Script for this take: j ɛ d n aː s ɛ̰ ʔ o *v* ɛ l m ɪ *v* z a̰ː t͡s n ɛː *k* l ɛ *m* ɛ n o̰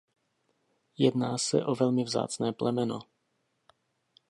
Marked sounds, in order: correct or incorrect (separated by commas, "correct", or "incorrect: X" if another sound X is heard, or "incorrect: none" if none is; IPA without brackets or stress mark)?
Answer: correct, correct, incorrect: p, correct